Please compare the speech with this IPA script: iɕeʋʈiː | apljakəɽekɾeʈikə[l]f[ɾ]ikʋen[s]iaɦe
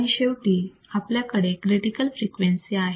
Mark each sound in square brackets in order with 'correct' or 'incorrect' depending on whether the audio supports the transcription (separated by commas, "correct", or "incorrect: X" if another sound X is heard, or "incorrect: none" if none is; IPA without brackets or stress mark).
correct, correct, correct